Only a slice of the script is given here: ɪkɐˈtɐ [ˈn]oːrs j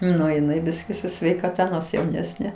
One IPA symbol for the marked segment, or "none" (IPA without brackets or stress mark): n